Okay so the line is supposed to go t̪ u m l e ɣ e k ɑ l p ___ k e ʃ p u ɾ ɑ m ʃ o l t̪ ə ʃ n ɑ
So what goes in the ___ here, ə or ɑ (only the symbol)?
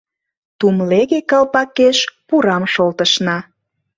ɑ